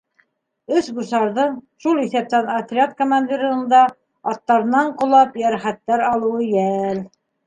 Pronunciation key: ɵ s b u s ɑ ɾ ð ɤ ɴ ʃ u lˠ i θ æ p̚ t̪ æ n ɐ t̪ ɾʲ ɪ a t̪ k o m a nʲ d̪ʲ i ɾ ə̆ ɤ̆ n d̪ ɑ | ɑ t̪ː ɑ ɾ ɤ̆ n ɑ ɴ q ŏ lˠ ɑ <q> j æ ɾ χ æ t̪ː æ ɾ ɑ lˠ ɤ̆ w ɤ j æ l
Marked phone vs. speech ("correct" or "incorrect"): incorrect